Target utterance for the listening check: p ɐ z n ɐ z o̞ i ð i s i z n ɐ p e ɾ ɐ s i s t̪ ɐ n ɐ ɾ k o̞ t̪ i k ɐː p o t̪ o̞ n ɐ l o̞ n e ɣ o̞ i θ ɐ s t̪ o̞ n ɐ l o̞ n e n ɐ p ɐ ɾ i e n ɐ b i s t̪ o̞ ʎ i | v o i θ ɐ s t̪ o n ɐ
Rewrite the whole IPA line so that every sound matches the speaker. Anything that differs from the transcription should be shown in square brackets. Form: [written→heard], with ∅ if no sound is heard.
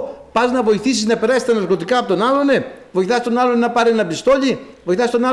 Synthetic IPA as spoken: p ɐ z n ɐ [z→v] o̞ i [ð→θ] i s i z n ɐ p e ɾ ɐ s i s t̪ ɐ n ɐ ɾ k o̞ t̪ i k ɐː p o t̪ o̞ n ɐ l o̞ n e [ɣ→v] o̞ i θ ɐ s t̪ o̞ n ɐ l o̞ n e n ɐ p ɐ ɾ i e n ɐ b i s t̪ o̞ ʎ i | v o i θ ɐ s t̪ o n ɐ